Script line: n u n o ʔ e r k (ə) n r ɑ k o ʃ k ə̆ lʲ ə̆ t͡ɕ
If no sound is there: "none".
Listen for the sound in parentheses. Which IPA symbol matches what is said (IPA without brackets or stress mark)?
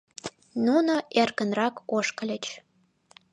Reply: ə